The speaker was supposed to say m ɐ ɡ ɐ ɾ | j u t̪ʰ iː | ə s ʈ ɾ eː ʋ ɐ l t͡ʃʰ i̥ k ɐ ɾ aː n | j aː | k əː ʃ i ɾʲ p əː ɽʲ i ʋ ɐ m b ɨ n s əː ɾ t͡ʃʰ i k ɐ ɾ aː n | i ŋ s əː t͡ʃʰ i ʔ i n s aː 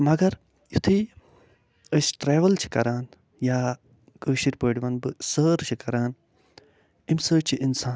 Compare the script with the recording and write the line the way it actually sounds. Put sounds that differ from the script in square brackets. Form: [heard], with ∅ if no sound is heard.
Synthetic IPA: m ɐ ɡ ɐ ɾ | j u t̪ʰ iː | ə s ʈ ɾ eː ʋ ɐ l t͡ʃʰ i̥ k ɐ ɾ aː n | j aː | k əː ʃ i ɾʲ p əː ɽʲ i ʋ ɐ [n] b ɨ [∅] s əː ɾ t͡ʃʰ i k ɐ ɾ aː n | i [m] s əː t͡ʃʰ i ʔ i n s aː